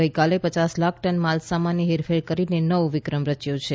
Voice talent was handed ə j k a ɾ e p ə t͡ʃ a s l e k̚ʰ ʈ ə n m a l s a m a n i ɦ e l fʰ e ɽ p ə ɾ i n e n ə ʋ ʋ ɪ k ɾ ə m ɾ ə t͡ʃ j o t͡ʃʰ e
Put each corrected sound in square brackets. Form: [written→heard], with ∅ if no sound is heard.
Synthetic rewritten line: ə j k a [ɾ→l] e p ə t͡ʃ a s l [e→a] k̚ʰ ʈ ə n m a l s a m a n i ɦ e [l→ɾ] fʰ e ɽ [p→k] ə ɾ i n e n ə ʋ ʋ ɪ k ɾ ə m ɾ ə t͡ʃ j o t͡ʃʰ e

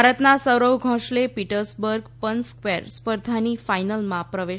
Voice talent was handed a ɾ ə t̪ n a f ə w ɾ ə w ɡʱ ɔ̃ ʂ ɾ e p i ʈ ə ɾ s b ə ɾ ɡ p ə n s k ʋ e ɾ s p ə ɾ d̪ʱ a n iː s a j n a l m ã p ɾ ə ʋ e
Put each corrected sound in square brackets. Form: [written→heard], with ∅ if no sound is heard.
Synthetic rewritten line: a ɾ ə t̪ n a [f→s] ə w ɾ ə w ɡʱ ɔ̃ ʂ [ɾ→l] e p i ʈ ə ɾ s b ə ɾ ɡ p ə n s k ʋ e ɾ s p ə ɾ d̪ʱ a n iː [s→f] a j n [a→ə] l m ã p ɾ ə ʋ e

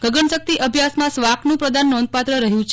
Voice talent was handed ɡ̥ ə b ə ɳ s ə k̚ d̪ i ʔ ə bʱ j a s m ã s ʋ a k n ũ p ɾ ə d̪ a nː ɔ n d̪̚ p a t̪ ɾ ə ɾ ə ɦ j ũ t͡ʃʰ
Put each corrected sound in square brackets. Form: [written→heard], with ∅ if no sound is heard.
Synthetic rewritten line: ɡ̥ ə [b→ɡ] ə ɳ s ə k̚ [d̪→t̪] i ʔ ə bʱ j a s m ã s ʋ a k n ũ p ɾ ə d̪ a nː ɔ n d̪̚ p a t̪ ɾ ə ɾ ə ɦ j ũ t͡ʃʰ

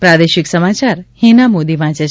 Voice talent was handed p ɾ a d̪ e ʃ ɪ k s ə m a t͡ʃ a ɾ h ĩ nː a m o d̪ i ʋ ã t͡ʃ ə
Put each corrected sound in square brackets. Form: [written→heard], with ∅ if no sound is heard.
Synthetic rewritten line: p ɾ a d̪ e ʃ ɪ k s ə m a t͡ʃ a ɾ h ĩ [nː→n] a m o d̪ i ʋ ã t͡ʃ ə

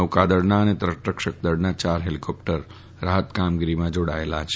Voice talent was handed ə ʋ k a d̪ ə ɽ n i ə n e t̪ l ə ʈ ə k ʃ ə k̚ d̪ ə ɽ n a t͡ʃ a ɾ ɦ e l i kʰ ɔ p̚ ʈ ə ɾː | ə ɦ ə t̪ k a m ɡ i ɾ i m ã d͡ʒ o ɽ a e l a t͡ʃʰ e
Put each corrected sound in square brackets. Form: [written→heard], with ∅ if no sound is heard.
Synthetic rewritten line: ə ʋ k a d̪ ə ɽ n [i→a] ə n e t̪ [l→ɾ] ə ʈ ə k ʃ ə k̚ d̪ ə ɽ n a t͡ʃ a ɾ ɦ e l i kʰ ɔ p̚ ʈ ə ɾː | [ə→a] ɦ ə t̪ k a m ɡ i ɾ i m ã d͡ʒ o ɽ a e l a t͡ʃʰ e

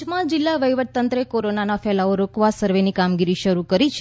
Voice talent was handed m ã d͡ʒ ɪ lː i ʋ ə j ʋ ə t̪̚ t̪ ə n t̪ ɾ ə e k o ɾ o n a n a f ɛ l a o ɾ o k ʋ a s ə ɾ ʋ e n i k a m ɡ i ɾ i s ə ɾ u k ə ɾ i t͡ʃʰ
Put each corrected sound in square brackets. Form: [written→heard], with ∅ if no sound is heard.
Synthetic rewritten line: m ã d͡ʒ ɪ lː [i→a] ʋ ə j ʋ ə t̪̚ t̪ ə n t̪ ɾ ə e k o ɾ o n a n a f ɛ l a o ɾ o k ʋ a s ə ɾ ʋ e n i k a m ɡ i ɾ i [s→ʃ] ə ɾ u k ə ɾ i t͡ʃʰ

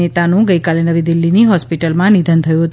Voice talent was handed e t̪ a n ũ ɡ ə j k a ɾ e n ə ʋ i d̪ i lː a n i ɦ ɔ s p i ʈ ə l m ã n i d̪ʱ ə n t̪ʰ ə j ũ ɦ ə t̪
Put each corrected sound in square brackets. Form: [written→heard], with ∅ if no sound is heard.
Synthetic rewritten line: e t̪ a n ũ ɡ ə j k a [ɾ→l] e n ə ʋ i d̪ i lː [a→i] n i ɦ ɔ s p i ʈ ə l m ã n i d̪ʱ ə n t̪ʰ ə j ũ ɦ ə t̪

